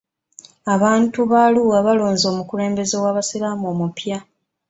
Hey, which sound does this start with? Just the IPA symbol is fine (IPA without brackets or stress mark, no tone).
a